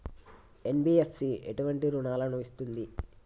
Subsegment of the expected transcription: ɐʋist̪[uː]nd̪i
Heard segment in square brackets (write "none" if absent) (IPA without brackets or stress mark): u